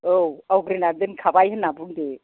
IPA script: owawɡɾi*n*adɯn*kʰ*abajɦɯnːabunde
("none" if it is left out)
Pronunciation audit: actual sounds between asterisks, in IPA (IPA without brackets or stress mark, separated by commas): n, kʰ